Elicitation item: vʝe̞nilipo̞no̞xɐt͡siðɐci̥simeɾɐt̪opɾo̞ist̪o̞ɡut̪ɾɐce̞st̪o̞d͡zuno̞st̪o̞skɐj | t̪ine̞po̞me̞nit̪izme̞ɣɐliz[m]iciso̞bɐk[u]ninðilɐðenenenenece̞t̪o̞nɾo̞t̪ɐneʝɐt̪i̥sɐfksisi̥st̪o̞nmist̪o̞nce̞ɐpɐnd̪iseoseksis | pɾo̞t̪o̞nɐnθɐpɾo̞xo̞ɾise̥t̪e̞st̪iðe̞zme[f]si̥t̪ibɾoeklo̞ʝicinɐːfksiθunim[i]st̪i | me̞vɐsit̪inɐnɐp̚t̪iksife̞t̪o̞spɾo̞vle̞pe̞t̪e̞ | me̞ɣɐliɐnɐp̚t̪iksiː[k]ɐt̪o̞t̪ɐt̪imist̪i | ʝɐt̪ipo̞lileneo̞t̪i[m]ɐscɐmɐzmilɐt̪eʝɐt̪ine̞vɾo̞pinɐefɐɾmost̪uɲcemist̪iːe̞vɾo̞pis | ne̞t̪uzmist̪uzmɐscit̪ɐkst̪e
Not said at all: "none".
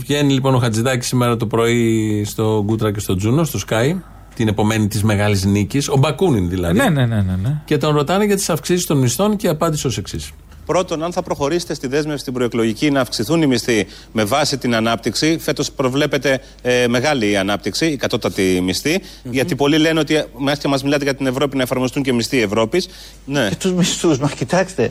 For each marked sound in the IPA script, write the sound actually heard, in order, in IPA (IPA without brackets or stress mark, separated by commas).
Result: n, u, f, i, k, m